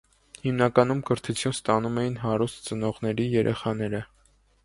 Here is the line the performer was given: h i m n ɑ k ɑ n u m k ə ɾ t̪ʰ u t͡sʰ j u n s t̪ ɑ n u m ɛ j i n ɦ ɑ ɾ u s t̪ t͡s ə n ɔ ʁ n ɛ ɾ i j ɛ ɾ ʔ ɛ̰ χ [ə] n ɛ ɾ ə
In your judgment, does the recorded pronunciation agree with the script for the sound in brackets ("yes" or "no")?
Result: no